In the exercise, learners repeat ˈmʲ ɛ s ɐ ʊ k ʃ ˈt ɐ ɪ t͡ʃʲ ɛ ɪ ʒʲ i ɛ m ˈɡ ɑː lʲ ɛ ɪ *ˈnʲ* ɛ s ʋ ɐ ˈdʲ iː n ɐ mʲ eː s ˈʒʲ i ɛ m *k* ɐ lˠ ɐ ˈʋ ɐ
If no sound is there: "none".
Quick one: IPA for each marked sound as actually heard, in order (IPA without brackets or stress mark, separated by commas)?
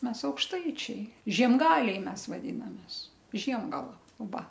mʲ, ɡ